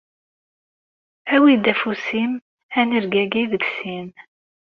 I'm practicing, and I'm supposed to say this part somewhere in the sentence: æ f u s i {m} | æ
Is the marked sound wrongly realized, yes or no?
no